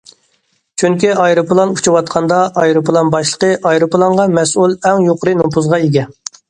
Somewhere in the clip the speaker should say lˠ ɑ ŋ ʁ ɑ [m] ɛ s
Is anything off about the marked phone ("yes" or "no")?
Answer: no